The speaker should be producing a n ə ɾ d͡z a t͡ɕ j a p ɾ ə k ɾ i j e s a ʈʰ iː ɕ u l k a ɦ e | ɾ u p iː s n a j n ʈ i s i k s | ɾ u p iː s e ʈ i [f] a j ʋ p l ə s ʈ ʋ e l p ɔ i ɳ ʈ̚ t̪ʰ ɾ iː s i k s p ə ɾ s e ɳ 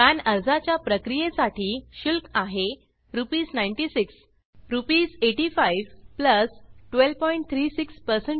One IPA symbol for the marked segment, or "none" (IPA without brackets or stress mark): f